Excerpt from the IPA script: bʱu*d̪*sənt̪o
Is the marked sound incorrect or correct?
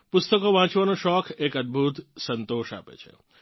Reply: incorrect